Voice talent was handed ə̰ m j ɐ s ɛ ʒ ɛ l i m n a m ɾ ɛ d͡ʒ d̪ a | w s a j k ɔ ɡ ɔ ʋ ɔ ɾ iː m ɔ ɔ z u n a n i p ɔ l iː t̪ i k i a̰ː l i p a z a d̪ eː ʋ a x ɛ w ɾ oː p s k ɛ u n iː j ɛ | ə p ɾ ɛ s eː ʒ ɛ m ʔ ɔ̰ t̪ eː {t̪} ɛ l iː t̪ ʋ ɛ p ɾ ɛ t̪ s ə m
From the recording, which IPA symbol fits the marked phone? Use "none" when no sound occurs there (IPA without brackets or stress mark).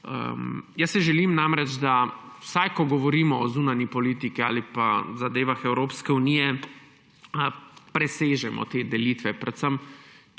d̪